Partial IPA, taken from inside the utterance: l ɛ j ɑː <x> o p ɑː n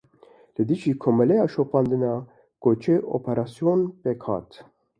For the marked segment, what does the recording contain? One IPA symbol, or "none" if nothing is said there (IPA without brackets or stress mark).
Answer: ʃ